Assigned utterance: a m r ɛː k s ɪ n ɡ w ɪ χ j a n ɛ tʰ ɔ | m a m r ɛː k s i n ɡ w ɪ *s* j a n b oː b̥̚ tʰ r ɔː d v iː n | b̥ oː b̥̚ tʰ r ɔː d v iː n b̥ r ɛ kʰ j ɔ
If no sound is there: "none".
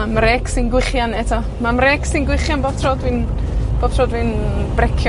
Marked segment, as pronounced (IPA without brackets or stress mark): χ